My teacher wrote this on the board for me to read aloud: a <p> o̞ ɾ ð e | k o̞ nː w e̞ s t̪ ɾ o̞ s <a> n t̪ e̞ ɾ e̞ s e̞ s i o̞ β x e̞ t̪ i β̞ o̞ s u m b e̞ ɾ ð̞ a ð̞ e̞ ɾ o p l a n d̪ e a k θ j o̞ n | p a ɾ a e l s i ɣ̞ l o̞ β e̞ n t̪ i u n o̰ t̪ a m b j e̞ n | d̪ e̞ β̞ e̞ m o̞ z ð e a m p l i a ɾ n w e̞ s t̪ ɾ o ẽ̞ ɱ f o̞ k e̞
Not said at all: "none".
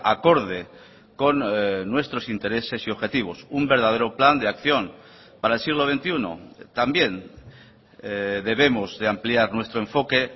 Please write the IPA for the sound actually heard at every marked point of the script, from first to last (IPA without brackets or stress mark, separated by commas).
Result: k, i